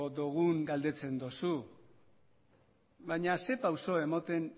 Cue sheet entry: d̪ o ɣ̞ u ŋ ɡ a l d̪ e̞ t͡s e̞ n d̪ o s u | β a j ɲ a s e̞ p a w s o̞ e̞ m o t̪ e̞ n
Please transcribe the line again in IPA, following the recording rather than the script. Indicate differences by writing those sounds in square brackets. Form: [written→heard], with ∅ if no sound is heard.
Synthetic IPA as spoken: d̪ o ɣ̞ u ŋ ɡ a l d̪ e̞ t͡s e̞ n d̪ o s u | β a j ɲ a s e̞ p a w s o̞ e̞ m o t̪ e̞ n